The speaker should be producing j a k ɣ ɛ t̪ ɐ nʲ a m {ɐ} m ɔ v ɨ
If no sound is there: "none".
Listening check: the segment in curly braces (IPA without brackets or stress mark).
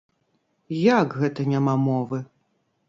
a